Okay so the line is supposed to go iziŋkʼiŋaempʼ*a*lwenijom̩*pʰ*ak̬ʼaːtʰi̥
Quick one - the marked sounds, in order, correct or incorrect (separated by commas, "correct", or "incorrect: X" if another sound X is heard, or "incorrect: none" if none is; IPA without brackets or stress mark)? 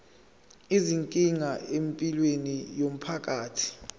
incorrect: i, correct